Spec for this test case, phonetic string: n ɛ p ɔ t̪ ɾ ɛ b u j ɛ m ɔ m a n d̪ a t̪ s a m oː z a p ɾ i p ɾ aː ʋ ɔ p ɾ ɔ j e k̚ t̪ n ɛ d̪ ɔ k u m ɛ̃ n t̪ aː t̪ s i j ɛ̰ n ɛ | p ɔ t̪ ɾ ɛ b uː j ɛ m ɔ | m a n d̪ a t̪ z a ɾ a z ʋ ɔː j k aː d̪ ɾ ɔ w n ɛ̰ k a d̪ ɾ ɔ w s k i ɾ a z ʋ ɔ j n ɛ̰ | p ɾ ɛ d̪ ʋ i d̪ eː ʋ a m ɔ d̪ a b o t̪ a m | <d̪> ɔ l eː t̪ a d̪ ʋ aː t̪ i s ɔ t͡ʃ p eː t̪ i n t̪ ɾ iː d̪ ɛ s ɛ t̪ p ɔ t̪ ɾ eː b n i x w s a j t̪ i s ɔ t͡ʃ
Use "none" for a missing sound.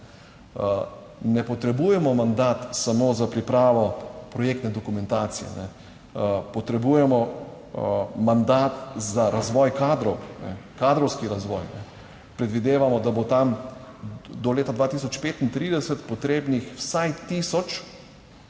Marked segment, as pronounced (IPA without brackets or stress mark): d̪